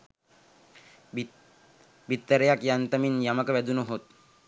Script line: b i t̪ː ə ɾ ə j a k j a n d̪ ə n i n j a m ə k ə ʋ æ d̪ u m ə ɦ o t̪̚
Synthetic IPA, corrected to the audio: b i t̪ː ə ɾ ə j a k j a n t̪ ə m i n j a m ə k ə ʋ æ d̪ u n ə ɦ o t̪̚